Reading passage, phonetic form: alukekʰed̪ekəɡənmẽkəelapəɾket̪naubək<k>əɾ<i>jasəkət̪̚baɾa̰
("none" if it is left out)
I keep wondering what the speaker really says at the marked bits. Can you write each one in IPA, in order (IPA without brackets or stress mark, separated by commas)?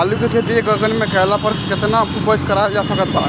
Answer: k, a